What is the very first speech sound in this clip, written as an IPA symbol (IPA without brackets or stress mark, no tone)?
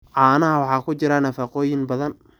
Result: ʕ